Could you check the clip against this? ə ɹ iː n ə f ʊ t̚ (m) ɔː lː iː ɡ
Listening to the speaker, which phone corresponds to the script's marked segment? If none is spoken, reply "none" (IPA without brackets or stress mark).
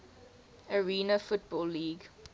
b